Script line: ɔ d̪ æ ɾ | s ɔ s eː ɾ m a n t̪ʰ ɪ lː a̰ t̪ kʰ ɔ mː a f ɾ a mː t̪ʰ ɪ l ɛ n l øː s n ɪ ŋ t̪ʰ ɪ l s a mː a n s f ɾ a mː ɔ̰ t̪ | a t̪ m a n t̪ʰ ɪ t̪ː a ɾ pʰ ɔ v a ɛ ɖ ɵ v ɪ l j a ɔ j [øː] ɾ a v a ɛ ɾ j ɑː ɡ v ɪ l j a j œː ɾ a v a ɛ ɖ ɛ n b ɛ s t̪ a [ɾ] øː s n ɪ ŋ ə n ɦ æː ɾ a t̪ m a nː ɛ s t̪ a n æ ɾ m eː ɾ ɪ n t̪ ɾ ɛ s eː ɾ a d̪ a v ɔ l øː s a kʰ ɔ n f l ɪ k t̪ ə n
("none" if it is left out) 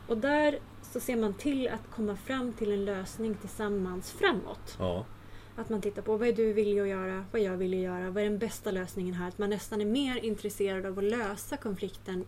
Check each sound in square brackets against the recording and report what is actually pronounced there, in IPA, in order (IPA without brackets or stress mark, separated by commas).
œː, l